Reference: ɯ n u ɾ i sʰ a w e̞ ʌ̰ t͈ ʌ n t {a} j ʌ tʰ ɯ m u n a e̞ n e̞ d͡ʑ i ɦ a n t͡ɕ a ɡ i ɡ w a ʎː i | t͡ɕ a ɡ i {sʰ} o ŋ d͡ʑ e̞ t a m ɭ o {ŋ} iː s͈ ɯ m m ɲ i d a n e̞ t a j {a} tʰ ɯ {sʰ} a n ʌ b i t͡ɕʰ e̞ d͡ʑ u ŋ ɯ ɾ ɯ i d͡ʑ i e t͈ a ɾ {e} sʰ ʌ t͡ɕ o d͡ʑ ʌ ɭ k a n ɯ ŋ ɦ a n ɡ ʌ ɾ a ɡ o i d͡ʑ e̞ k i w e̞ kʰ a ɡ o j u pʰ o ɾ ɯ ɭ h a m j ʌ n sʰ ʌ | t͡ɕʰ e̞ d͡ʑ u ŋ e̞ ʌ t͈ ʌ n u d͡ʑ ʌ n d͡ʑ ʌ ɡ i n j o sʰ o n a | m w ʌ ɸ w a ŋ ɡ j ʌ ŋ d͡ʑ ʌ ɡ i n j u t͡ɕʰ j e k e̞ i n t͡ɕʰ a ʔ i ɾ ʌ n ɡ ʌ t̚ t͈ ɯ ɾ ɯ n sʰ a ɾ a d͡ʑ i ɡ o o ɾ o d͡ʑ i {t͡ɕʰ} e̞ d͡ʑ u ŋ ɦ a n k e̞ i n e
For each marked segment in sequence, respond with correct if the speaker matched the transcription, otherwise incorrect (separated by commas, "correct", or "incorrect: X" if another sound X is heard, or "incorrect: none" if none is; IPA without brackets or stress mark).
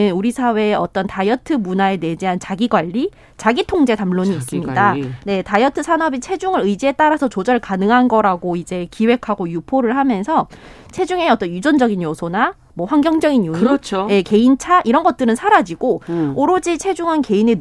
correct, incorrect: tʰ, incorrect: ɲ, incorrect: ʌ, correct, incorrect: a, correct